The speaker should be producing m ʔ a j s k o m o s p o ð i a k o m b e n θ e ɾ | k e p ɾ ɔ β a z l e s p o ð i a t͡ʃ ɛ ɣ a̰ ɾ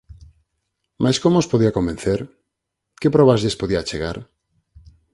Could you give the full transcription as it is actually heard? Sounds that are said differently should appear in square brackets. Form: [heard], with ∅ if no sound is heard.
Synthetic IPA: m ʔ a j s k o m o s p o ð i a k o m b e n θ e ɾ | k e p ɾ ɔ β a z [ʎ] e s p o ð i a t͡ʃ [e] ɣ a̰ ɾ